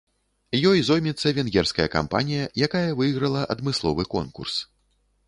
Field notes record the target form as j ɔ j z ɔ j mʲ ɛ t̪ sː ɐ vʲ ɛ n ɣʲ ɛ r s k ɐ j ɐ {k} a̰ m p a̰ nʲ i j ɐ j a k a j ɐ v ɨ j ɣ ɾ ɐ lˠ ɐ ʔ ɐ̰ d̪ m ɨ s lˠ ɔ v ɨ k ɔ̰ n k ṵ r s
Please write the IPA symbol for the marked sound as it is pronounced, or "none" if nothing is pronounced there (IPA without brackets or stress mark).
k